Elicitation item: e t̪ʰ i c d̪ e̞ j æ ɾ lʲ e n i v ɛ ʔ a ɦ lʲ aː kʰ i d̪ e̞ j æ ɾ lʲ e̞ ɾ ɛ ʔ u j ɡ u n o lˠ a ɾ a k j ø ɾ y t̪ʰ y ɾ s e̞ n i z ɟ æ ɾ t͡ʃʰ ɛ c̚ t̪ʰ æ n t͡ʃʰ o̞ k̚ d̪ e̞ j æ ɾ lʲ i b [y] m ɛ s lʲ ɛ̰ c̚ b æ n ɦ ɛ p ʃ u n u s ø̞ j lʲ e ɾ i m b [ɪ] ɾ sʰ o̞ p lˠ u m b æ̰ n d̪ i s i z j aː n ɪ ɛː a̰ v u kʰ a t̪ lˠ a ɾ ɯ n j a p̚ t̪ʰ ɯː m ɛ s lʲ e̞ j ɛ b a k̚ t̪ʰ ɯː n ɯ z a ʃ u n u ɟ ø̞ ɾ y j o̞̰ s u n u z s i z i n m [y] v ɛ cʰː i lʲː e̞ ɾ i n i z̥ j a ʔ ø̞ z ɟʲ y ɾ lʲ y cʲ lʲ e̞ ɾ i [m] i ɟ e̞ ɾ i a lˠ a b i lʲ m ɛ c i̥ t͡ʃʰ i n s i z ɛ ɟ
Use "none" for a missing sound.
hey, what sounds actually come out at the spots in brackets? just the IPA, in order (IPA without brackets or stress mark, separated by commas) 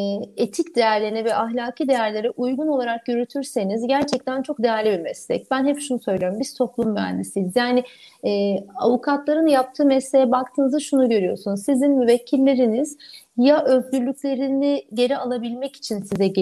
i, i, y, n